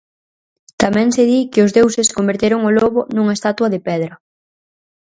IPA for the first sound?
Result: t̪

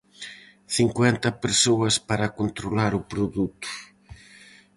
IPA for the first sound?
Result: θ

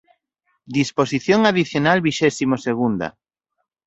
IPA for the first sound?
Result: d̪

